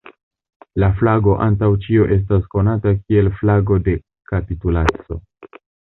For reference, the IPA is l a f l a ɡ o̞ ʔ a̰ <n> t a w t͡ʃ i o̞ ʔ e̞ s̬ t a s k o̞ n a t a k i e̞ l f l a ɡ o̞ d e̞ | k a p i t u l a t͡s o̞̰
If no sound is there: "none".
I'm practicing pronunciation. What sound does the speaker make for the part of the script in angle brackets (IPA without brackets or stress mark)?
n